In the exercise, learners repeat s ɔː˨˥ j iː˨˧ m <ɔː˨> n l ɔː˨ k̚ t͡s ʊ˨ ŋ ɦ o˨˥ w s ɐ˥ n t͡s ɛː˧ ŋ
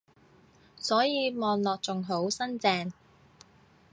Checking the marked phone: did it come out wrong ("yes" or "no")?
no